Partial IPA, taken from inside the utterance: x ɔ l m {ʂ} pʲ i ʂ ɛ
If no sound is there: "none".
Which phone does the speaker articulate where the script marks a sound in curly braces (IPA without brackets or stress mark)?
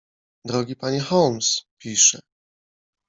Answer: s